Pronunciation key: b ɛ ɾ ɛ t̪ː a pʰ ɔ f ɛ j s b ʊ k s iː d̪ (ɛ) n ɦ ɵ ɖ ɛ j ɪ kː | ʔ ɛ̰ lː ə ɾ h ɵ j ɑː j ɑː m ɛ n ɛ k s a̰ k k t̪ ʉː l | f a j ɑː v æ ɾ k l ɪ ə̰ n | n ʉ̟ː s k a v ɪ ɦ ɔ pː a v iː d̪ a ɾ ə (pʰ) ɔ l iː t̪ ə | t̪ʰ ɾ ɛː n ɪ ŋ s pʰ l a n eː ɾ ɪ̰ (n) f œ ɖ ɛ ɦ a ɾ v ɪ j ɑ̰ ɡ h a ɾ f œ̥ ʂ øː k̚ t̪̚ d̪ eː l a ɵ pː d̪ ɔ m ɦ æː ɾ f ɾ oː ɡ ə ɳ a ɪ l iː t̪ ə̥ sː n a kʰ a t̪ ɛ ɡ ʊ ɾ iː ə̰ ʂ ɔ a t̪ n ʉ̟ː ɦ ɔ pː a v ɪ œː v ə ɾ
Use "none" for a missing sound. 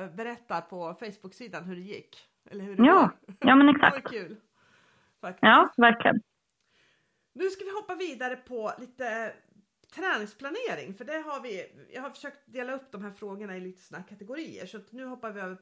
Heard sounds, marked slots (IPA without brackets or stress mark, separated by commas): a, pʰ, ŋ